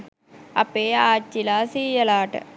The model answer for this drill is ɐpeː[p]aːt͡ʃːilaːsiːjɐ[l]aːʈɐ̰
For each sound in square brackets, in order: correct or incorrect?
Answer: incorrect: none, correct

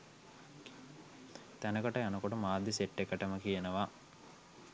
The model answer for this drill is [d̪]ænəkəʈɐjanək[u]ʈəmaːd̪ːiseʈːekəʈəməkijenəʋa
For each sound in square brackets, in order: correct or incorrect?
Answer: incorrect: t̪, incorrect: o

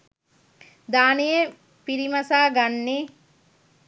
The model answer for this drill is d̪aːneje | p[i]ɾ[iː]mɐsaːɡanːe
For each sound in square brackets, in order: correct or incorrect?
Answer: correct, incorrect: i

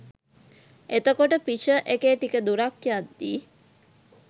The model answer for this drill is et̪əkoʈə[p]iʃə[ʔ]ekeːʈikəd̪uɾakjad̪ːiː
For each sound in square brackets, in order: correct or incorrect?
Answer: correct, correct

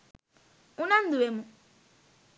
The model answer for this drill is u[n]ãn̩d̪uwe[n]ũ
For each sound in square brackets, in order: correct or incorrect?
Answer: correct, incorrect: m

